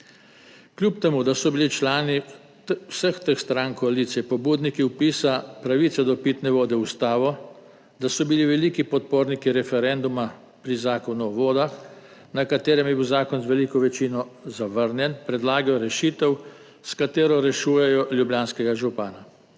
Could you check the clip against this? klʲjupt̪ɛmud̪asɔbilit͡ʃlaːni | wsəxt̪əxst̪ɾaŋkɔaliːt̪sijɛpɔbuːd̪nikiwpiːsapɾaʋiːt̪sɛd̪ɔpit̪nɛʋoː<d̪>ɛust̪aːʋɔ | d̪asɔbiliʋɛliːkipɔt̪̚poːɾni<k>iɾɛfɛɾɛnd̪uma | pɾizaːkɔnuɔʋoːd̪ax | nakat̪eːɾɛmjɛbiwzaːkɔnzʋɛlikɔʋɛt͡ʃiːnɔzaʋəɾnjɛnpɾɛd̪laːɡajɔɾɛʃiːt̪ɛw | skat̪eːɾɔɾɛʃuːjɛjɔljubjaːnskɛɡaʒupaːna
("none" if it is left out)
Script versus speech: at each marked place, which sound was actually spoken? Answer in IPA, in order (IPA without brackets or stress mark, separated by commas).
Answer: d̪, k